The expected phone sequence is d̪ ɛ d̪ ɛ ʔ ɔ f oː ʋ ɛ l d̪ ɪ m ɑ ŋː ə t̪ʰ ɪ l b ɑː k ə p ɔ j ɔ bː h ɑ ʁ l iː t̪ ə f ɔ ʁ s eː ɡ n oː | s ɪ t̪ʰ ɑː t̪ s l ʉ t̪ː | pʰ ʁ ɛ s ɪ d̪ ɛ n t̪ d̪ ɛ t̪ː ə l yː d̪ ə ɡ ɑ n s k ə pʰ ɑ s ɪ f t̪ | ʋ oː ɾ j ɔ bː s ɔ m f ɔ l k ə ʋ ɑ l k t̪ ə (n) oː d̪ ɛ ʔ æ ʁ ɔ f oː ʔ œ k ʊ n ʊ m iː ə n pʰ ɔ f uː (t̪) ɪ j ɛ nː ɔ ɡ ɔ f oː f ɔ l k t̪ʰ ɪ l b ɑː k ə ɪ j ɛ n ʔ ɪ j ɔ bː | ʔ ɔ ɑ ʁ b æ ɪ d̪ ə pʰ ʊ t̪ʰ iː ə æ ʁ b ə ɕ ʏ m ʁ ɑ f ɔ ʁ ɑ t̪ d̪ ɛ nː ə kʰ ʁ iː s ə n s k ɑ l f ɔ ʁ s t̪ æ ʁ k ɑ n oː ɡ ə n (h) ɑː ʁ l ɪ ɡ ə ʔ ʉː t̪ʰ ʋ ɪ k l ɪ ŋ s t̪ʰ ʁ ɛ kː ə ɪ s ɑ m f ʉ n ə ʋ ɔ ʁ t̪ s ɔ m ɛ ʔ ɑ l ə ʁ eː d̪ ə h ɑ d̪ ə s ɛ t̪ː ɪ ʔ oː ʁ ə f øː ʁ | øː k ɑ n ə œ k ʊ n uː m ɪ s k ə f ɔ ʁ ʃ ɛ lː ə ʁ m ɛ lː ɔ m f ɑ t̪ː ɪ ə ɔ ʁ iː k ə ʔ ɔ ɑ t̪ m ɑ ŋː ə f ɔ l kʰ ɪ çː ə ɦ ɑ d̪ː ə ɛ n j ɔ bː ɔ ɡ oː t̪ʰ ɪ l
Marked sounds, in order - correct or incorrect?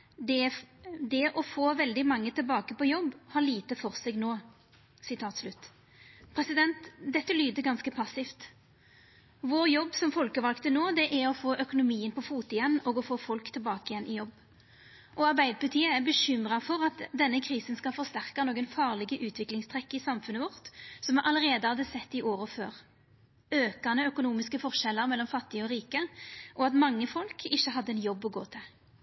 correct, correct, incorrect

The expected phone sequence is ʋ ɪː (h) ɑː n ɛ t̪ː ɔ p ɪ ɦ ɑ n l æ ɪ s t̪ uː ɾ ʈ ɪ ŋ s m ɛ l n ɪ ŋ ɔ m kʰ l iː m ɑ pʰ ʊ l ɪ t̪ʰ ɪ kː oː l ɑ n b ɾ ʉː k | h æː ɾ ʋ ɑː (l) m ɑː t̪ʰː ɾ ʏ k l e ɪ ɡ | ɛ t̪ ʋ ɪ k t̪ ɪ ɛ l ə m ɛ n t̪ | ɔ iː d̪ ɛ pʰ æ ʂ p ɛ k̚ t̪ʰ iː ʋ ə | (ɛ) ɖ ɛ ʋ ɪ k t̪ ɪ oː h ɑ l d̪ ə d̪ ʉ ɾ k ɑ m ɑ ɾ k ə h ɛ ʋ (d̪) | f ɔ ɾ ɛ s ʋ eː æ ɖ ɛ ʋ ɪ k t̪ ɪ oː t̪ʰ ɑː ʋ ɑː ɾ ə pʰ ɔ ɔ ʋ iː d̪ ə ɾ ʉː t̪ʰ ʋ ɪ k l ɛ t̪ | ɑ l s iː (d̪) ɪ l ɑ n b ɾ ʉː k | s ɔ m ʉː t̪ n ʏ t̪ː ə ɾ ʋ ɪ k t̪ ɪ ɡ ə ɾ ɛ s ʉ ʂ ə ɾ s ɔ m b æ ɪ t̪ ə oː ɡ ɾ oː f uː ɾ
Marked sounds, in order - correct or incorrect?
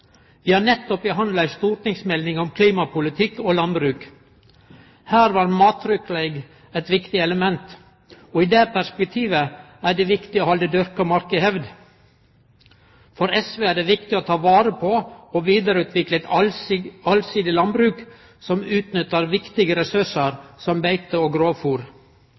correct, incorrect, incorrect, correct, correct

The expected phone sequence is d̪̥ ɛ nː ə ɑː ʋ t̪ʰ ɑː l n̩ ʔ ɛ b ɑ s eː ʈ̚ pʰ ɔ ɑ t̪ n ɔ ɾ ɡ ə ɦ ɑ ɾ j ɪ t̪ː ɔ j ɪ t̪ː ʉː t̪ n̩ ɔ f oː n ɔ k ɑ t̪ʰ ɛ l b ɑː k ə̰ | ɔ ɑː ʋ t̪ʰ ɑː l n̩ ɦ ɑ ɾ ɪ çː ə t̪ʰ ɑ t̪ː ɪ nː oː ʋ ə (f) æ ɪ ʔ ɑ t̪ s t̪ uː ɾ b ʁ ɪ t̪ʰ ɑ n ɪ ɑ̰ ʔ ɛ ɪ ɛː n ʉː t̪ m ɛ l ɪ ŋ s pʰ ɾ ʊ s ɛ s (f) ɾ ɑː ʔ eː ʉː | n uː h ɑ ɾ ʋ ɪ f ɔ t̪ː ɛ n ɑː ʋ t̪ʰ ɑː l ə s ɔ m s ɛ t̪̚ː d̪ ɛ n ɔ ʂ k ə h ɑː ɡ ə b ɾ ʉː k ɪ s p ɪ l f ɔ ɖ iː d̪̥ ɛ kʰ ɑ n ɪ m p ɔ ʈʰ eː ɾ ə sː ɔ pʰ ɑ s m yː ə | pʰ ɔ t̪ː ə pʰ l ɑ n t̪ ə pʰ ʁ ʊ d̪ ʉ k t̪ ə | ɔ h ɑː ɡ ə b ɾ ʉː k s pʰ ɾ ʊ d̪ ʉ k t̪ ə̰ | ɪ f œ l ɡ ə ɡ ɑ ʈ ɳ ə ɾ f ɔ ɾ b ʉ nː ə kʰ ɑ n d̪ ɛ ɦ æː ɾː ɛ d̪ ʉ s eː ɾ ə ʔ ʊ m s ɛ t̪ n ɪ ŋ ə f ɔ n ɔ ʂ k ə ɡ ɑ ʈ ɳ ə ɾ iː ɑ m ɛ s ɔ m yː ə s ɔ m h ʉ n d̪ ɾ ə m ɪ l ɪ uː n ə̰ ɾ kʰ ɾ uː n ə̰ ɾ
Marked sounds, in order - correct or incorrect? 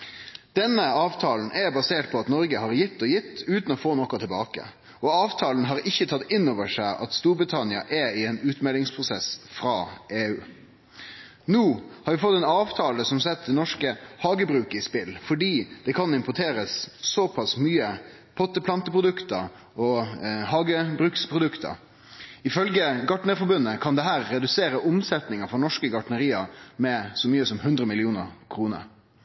incorrect, correct

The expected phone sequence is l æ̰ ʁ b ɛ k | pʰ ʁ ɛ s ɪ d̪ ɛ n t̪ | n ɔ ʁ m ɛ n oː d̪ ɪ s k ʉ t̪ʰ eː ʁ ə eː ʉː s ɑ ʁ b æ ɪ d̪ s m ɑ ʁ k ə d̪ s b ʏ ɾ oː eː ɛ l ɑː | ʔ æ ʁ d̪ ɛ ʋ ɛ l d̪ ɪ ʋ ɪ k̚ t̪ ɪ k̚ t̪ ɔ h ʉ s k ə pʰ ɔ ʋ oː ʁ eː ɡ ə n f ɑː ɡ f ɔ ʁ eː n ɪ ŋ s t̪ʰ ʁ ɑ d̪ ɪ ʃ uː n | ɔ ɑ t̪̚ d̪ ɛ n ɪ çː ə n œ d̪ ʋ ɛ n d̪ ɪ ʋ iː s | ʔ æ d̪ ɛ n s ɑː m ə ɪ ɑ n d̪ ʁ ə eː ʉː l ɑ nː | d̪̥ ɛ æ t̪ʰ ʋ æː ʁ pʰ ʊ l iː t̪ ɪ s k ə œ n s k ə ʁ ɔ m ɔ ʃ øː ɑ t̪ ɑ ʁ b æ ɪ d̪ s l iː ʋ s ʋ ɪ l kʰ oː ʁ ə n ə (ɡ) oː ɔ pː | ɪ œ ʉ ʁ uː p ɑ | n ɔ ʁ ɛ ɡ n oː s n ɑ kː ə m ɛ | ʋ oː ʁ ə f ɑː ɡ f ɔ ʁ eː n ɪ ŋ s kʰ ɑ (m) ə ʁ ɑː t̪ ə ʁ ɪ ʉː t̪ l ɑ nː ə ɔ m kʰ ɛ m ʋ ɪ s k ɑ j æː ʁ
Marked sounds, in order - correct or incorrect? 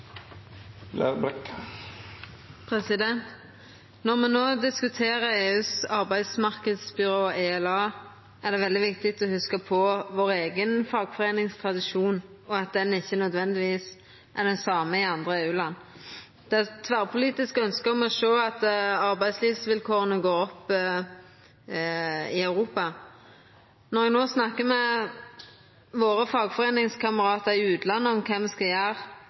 correct, correct

